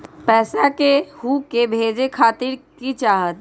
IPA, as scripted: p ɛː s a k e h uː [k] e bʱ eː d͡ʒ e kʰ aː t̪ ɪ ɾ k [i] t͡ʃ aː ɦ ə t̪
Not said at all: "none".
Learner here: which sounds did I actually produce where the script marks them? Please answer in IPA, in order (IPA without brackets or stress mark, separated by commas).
k, i